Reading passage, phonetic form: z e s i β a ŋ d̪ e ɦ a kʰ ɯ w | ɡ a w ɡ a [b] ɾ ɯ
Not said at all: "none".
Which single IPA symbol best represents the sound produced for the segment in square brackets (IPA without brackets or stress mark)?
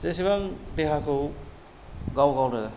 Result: w